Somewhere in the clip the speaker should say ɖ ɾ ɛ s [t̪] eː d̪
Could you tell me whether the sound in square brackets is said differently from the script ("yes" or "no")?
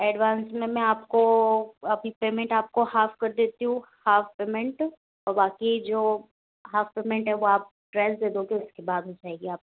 yes